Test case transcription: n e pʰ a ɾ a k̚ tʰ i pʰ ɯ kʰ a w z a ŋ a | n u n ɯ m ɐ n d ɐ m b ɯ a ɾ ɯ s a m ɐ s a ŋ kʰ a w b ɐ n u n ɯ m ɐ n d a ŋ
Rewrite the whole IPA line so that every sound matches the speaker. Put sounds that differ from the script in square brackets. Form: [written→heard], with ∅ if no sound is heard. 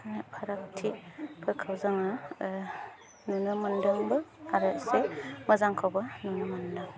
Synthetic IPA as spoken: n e pʰ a ɾ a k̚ tʰ i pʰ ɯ kʰ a w z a ŋ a | n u n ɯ m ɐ n d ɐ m b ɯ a ɾ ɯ s [a→e] m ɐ [s→z] a ŋ kʰ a w b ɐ n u n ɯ m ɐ n d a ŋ

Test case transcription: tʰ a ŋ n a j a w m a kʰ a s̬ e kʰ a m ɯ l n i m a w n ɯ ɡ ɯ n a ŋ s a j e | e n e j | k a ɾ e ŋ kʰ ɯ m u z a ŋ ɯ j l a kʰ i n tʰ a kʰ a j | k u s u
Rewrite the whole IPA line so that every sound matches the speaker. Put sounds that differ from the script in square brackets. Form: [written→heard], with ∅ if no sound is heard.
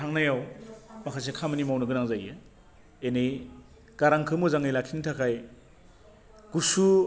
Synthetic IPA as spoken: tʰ a ŋ n a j a w m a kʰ a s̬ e kʰ a m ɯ [l→∅] n i m a w n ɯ ɡ ɯ n a ŋ [s→z] a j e | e n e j | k a ɾ [e→a] ŋ kʰ ɯ m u z a ŋ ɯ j l a kʰ i n tʰ a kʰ a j | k u s u

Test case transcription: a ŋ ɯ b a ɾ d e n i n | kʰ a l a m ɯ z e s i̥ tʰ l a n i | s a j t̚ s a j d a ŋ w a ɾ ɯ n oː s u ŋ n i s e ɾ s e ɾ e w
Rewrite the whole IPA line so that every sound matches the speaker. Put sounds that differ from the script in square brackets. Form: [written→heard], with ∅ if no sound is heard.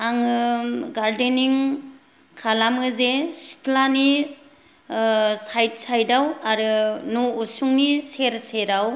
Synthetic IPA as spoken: a ŋ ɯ [b→ɡ] a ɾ d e n i [n→ŋ] | kʰ a l a m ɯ z e s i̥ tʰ l a n i | s a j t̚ s a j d a [ŋ→∅] w a ɾ ɯ n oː s u ŋ n i s e ɾ s e ɾ [e→a] w

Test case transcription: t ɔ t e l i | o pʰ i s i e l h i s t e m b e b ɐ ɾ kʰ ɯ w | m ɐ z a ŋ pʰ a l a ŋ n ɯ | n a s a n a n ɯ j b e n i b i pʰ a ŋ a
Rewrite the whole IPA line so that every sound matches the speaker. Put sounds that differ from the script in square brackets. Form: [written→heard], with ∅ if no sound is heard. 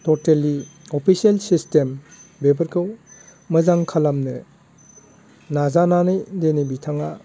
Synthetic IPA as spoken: t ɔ t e l i | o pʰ i s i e l [h→s] i s t e m b e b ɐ ɾ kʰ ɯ w | m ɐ z a ŋ [pʰ→kʰ] a l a [ŋ→m] n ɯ | n a [s→z] a n a n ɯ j [b→d] e n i b i [pʰ→tʰ] a ŋ a

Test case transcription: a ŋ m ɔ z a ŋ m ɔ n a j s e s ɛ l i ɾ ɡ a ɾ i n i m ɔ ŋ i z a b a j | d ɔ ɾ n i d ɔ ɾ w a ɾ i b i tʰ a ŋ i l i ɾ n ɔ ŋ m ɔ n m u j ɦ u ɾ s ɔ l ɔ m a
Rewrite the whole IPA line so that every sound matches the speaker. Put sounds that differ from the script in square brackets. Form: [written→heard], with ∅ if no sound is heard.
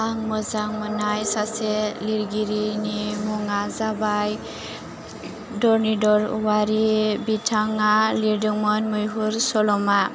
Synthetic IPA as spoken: a ŋ m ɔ z a ŋ m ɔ n a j s [e→a] s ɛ l i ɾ ɡ [a→i] ɾ i n i m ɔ ŋ [i→a] z a b a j | d ɔ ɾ n i d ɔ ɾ w a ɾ i b i tʰ a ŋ [i→a] l i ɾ [n→d] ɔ ŋ m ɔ n m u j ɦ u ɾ s ɔ l ɔ m a

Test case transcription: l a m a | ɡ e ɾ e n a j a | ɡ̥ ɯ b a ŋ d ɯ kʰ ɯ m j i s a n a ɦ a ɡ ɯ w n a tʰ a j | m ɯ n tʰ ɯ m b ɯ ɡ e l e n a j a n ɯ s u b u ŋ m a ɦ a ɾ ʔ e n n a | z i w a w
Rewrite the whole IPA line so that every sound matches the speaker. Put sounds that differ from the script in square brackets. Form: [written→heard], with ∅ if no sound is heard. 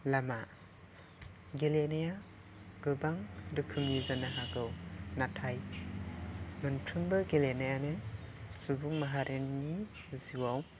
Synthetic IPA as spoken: l a m a | ɡ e [ɾ→l] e n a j a | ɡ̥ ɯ b a ŋ d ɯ kʰ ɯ m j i [s→z] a n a ɦ a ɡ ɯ w n a tʰ a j | m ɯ n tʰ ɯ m b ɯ ɡ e l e n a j a n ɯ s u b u ŋ m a ɦ a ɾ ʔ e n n [a→i] | z i w a w

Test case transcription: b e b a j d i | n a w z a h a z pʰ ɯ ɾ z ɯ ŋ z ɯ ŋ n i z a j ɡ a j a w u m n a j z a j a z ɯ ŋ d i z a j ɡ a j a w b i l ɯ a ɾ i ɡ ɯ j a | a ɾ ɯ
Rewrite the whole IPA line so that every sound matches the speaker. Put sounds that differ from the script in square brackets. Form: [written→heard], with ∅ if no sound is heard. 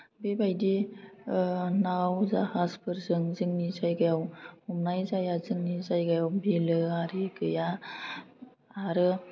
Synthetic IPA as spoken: b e b a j d i | n a w z a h a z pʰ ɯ ɾ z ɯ ŋ z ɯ ŋ n i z a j ɡ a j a w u m n a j z a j a z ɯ ŋ [d→n] i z a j ɡ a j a w b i l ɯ a ɾ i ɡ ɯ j a | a ɾ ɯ

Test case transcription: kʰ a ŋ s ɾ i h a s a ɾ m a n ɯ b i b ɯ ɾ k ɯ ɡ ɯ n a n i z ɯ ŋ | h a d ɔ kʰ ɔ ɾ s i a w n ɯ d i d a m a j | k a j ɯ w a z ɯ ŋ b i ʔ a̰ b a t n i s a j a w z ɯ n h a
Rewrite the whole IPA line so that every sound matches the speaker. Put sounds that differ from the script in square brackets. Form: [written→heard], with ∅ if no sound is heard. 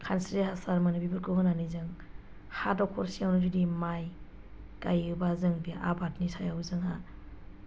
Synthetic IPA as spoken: kʰ a [ŋ→n] s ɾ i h a s a ɾ m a n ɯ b i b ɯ ɾ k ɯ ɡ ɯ n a n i z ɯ ŋ | h a d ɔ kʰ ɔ ɾ s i a w n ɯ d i d [a→i] m a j | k a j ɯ [w→b] a z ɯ ŋ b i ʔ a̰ b a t n i s a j a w z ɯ [n→ŋ] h a

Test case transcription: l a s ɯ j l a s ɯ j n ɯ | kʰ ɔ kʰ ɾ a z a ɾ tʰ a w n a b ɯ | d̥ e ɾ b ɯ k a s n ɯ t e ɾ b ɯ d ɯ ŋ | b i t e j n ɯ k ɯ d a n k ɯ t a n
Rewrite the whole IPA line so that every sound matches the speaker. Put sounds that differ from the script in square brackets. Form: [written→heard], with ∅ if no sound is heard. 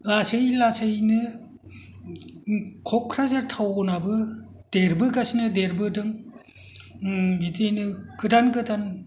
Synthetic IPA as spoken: l a s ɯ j l a s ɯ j n ɯ | kʰ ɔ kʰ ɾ a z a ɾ tʰ a w n a b ɯ | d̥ e ɾ b ɯ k a s n ɯ [t→d] e ɾ b ɯ d ɯ ŋ | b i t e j n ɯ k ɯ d a n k ɯ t a n

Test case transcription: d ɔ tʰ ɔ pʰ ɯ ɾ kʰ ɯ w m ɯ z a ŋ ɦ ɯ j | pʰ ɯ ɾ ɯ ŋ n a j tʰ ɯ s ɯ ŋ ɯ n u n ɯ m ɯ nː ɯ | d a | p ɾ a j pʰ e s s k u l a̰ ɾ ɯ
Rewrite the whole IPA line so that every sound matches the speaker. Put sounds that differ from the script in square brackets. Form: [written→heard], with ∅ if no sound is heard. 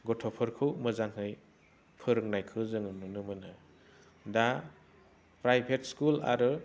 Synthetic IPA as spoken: [d→ɡ] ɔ tʰ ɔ pʰ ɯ ɾ kʰ ɯ w m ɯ z a ŋ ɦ ɯ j | pʰ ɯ ɾ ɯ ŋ n a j [tʰ→kʰ] ɯ [s→z] ɯ ŋ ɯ n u n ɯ m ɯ [nː→n] ɯ | d a | p ɾ a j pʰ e [s→t] s k u l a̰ ɾ ɯ

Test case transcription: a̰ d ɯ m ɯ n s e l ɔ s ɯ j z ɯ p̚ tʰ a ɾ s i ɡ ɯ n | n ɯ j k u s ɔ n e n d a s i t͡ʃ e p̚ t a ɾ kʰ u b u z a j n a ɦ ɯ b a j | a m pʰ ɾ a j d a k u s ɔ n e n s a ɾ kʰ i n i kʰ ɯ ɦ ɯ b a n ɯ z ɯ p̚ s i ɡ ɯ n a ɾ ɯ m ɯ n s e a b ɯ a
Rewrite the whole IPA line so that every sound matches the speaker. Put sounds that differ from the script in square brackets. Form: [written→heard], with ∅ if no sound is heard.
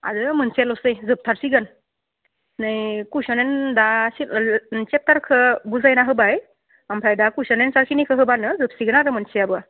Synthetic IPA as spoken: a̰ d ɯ m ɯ n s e l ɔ s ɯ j z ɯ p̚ tʰ a ɾ s i ɡ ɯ n | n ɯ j k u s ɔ n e n d a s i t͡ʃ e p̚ t a ɾ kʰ [u→ɯ] b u z a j n a ɦ ɯ b a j | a m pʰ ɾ a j d a k u s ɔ n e n s a ɾ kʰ i n i kʰ ɯ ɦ ɯ b a n ɯ z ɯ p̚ s i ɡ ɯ n a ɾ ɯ m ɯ n s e a b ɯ a

